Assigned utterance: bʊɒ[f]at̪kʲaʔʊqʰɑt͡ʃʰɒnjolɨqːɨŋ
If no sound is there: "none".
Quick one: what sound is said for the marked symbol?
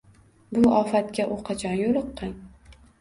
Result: f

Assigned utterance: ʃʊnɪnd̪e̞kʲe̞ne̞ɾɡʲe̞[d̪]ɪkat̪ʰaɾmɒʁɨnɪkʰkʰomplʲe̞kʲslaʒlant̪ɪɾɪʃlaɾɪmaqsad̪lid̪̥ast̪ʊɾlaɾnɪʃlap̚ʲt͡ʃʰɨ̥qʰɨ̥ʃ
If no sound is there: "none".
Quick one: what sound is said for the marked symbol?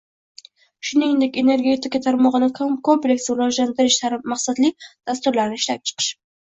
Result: t̪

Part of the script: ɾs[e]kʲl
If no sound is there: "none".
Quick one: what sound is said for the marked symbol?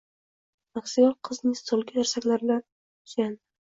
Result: a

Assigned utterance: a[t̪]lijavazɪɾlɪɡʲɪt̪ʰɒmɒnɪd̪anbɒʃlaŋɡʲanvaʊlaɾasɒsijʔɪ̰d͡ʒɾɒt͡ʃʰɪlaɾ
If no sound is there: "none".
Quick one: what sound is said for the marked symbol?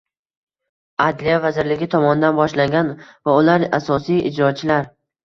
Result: d̪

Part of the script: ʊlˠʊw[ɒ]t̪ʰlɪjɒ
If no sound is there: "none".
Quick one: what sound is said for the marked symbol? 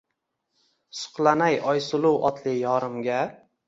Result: ɒ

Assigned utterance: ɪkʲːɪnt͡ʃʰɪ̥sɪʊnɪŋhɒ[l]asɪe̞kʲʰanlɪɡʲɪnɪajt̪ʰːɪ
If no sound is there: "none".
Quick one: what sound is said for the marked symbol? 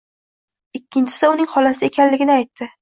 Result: l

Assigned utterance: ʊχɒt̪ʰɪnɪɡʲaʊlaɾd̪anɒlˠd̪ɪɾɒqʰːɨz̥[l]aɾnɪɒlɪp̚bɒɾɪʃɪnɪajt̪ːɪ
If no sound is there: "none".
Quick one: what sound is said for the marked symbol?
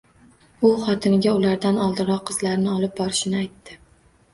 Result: l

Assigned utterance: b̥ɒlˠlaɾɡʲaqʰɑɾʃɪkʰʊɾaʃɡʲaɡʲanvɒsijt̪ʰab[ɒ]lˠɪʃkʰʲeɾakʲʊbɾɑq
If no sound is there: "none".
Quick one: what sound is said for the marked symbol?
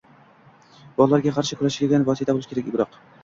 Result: o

